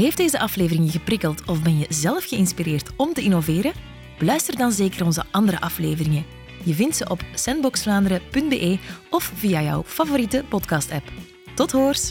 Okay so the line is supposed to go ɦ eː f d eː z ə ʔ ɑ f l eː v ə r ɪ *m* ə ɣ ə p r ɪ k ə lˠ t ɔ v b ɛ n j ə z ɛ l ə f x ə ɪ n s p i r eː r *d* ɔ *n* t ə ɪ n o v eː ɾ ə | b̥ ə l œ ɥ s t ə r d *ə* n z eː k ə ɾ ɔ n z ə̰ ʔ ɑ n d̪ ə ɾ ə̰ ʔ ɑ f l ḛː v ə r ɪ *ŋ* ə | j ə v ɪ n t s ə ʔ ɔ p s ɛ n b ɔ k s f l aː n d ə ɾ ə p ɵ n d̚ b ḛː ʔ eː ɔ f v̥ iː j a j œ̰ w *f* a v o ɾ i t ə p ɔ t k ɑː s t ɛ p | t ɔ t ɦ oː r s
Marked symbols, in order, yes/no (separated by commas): no, no, no, no, yes, yes